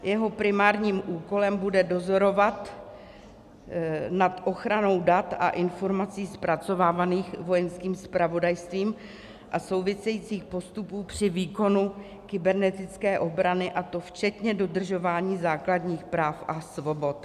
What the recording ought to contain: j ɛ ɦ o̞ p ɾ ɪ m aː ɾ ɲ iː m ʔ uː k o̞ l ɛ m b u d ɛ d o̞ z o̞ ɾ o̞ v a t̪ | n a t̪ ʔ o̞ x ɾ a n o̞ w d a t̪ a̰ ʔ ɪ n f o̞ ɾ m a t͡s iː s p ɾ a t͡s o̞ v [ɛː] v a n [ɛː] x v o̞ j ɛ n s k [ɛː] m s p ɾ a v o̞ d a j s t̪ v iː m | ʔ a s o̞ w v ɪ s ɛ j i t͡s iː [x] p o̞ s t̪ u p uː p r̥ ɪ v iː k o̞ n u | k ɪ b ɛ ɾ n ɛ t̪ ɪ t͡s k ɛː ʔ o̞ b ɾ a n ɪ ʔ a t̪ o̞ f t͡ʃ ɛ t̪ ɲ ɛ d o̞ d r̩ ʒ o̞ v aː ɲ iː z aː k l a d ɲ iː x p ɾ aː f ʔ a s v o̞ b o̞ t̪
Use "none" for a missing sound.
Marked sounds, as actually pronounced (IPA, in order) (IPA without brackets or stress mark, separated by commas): aː, iː, iː, x